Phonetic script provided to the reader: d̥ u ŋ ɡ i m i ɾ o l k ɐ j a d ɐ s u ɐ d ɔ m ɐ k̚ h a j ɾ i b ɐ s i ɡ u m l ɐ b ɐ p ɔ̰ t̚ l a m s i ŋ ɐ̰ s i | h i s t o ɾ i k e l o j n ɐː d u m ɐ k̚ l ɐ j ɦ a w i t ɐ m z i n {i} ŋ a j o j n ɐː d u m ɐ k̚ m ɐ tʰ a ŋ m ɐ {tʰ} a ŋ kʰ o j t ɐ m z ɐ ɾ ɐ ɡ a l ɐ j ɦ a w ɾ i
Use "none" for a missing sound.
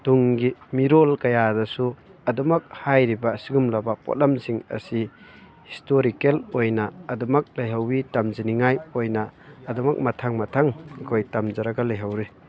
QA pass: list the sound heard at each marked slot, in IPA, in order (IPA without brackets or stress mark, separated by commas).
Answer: i, tʰ